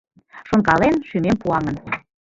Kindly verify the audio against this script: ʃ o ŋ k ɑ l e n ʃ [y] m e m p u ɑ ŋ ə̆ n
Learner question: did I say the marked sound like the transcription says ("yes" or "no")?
yes